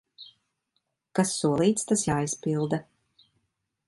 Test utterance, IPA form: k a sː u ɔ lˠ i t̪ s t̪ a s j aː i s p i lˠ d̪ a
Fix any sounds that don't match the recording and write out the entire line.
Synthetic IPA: k a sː u ɔ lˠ iː t̪ s t̪ a s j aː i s p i lˠ d̪ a